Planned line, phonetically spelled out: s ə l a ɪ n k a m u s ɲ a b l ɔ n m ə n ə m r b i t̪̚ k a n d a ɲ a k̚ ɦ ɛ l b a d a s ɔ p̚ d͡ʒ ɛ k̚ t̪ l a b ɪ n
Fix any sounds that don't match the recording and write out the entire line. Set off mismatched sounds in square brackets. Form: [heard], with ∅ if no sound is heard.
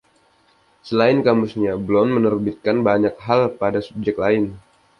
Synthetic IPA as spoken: s ə l a ɪ n k a m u s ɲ a b l ɔ n m ə n ə [∅] r b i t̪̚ k a n [b] a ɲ a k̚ ɦ [a] l [p] a d a s [u] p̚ d͡ʒ ɛ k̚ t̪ l a [∅] ɪ n